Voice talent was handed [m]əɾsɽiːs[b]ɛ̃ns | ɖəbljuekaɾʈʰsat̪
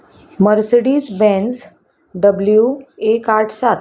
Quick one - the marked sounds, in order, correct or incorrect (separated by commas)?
correct, correct